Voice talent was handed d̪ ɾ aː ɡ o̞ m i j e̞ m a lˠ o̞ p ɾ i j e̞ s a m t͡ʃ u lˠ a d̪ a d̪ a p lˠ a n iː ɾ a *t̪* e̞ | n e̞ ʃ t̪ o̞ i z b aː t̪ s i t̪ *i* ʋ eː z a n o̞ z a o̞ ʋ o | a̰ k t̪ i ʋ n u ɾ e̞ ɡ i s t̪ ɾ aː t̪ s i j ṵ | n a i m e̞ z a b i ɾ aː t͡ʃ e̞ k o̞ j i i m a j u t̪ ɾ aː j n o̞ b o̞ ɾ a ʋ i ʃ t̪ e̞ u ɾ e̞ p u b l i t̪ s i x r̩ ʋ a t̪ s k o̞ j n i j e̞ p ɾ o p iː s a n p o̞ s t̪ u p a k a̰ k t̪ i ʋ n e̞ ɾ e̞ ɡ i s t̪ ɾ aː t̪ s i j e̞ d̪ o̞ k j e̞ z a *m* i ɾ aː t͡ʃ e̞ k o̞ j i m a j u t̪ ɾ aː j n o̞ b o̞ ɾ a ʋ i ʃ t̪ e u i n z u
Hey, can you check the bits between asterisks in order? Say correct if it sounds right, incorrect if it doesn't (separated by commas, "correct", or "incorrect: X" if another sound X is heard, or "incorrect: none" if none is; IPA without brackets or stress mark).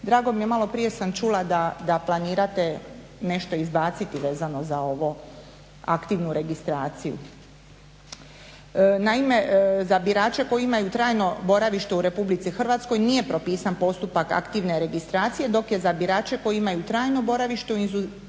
correct, correct, incorrect: b